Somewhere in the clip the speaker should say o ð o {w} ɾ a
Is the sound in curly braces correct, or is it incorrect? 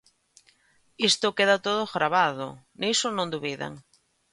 incorrect